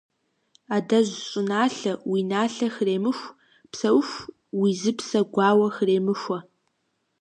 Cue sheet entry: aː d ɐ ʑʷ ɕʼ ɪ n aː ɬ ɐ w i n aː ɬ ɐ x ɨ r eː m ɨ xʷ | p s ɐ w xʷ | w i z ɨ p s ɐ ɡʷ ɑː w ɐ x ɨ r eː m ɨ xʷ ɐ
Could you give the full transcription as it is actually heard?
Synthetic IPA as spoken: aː d ɐ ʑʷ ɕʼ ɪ n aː ɬ ɐ w i n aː ɬ ɐ x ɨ r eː m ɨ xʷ | p s ɐ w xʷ | w i z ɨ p s ɐ ɡʷ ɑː w ɐ x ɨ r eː m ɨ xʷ ɐ